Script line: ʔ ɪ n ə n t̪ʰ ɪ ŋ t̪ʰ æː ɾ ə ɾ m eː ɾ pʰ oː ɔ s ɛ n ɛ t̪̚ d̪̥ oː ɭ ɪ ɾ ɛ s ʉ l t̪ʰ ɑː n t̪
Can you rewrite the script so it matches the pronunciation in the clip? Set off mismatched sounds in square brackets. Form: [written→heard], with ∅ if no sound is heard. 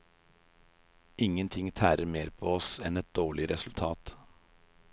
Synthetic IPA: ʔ ɪ [n→ŋ] ə n t̪ʰ ɪ ŋ t̪ʰ æː ɾ ə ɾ m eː ɾ pʰ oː ɔ s ɛ n ɛ t̪̚ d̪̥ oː ɭ ɪ ɾ ɛ s ʉ l t̪ʰ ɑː [n→∅] t̪